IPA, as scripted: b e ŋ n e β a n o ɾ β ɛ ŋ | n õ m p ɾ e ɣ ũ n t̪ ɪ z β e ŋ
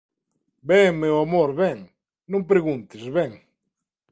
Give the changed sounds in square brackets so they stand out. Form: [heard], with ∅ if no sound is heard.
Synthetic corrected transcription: b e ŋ [m] e [w] a [m] o ɾ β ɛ ŋ | n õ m p ɾ e ɣ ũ n t̪ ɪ z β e ŋ